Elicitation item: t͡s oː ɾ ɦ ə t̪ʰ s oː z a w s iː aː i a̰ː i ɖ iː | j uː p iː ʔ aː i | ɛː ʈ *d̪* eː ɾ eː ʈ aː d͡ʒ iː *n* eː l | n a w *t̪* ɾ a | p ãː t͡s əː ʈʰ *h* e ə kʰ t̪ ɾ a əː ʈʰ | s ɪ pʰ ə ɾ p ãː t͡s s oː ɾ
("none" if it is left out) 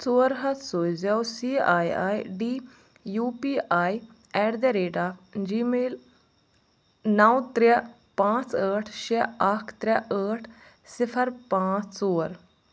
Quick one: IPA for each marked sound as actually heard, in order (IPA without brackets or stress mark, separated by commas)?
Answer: d̪, m, t̪, ʃ